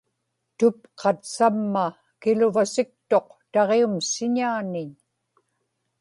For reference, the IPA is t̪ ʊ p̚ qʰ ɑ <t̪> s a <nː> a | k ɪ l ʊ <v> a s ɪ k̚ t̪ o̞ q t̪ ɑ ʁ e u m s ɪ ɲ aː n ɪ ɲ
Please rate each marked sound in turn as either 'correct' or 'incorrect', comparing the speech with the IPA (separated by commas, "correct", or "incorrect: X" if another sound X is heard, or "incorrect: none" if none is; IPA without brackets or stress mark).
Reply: correct, incorrect: mː, correct